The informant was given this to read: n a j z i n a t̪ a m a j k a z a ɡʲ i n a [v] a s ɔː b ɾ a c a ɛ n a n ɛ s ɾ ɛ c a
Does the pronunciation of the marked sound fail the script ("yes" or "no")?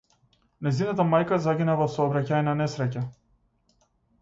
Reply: no